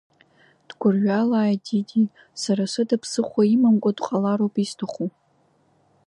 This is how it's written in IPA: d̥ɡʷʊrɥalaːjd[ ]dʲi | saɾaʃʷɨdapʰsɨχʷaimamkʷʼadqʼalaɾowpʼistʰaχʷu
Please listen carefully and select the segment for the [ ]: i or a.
i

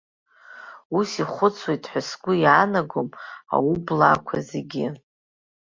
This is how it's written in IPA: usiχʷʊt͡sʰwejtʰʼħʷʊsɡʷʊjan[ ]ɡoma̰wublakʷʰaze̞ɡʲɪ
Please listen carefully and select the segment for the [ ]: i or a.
a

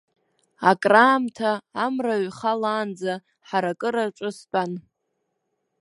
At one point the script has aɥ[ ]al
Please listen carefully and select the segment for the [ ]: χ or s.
χ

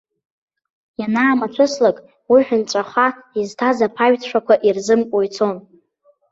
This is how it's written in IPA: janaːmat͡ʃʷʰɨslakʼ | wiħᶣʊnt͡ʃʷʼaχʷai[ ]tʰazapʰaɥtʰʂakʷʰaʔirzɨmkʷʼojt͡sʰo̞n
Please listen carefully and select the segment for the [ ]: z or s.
z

